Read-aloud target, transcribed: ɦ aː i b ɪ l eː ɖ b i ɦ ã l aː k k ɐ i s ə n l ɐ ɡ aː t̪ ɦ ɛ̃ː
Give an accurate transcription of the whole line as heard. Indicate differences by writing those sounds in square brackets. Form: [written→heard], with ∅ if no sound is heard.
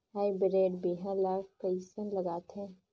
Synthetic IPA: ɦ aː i b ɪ [l→ɾ] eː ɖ b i ɦ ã l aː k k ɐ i s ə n l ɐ ɡ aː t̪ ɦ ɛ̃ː